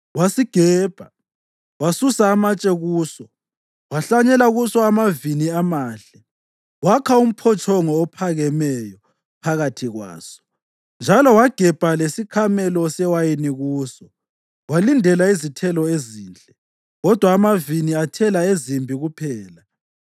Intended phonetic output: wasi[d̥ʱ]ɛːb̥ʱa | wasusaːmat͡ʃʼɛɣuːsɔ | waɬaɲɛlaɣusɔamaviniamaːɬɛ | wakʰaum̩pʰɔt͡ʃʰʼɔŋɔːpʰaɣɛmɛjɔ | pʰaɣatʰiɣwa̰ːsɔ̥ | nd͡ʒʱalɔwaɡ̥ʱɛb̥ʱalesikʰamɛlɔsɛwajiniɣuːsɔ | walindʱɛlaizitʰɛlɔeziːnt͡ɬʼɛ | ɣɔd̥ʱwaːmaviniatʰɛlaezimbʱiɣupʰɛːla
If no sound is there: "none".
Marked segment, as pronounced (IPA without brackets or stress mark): ɡ̥ʱ